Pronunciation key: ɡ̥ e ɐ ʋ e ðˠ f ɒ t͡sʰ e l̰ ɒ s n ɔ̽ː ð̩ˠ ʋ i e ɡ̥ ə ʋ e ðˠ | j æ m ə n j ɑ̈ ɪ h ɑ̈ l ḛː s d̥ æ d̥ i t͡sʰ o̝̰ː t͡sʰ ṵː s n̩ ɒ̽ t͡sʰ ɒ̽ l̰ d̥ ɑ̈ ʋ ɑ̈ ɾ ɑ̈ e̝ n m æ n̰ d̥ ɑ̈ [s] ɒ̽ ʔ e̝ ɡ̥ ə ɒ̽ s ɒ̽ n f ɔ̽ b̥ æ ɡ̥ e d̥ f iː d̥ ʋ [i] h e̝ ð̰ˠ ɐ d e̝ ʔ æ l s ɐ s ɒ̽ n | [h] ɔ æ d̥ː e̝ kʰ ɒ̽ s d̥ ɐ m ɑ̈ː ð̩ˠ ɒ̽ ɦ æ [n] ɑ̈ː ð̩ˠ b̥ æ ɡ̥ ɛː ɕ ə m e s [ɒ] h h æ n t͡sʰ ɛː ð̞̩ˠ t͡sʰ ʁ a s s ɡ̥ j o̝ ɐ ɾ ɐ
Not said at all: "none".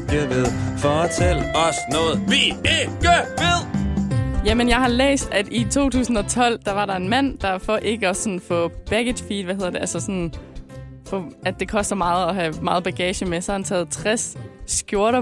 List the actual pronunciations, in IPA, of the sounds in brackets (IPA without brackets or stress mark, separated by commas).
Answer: f, æ, f, m, ɒ